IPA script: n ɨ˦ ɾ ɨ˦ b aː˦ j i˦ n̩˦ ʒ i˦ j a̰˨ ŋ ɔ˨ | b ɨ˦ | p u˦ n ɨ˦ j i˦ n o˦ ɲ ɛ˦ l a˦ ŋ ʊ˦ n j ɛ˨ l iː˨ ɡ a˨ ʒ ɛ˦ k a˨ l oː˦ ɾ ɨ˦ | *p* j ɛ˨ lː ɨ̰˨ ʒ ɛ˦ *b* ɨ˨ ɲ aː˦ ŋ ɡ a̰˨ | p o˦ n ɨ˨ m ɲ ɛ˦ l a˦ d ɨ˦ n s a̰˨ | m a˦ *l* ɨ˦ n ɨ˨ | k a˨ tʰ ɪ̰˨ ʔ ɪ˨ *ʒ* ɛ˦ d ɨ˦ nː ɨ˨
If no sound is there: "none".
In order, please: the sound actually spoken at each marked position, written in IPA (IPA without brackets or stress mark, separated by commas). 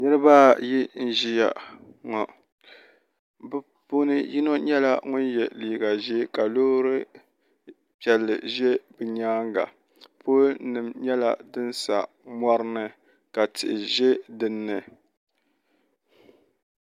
p, b, ɾ, ʒ